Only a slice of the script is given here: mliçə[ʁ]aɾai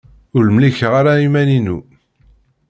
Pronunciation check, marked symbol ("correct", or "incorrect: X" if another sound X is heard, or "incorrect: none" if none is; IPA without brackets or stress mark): correct